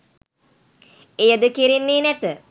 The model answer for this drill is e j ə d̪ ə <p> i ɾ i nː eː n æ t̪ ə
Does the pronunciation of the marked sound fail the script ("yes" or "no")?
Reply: yes